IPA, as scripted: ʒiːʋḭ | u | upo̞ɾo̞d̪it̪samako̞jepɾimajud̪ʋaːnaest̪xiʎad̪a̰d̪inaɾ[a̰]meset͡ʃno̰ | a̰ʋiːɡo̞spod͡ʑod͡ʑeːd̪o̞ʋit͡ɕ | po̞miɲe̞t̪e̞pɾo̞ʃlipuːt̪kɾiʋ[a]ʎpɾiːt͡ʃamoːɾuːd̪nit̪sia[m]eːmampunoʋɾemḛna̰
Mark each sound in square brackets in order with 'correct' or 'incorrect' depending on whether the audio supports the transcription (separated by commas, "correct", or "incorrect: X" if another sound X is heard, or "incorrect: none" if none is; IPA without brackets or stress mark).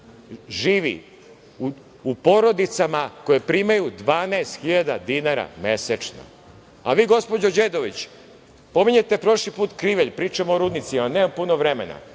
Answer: correct, incorrect: e, incorrect: n